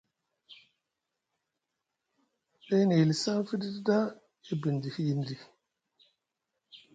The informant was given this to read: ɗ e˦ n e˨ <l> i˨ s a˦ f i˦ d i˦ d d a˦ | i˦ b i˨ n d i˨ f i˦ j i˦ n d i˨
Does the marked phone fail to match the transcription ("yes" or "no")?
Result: no